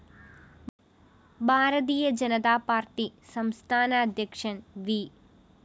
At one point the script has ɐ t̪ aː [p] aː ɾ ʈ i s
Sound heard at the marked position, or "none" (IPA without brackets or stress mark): p